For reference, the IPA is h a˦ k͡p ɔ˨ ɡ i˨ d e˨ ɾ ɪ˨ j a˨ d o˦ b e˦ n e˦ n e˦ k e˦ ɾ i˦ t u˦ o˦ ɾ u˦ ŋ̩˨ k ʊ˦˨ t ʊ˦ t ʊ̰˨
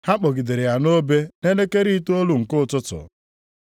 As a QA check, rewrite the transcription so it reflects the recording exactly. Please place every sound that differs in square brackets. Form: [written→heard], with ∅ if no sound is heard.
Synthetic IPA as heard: h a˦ k͡p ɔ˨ ɡ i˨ d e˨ ɾ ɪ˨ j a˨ [d→n] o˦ b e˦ n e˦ n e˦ k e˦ ɾ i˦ t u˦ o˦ [ɾ→l] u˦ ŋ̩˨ k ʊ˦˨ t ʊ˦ t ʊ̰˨